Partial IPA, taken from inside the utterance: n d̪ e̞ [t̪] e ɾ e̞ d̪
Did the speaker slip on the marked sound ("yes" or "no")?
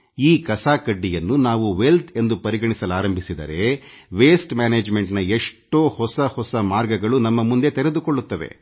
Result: no